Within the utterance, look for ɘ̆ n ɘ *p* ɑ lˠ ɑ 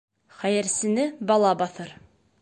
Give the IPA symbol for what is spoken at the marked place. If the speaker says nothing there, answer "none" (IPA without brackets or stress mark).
b